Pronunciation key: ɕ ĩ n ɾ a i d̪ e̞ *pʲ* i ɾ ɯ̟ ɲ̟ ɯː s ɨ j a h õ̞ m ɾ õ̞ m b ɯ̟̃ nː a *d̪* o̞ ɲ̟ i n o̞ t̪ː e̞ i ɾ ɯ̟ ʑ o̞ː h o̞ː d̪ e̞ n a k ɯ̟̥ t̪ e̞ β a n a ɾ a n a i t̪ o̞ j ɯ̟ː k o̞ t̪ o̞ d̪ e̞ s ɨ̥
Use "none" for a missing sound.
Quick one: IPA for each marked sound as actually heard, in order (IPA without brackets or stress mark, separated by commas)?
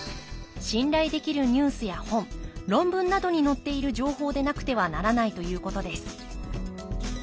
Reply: kʲ, d̪